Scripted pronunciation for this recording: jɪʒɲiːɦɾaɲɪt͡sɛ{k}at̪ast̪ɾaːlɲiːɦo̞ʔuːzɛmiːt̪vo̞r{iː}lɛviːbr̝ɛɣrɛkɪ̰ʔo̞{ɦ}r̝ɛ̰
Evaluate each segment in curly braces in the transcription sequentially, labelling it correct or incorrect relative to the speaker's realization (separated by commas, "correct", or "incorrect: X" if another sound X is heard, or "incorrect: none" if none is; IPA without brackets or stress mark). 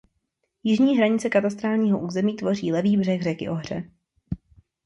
correct, correct, correct